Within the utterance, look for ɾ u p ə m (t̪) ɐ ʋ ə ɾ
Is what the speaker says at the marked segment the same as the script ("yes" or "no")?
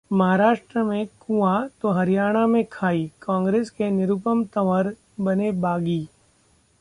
yes